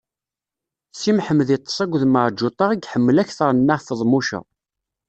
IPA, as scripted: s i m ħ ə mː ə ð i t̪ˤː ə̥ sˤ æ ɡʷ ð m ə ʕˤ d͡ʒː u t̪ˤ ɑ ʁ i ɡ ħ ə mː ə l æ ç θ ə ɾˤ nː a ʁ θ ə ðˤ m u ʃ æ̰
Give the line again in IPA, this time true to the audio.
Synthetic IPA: s i m ħ ə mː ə ð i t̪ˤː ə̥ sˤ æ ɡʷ ð m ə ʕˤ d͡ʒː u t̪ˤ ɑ ʁ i ɡ ħ ə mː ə l æ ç θ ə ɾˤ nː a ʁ θ ə ðˤ m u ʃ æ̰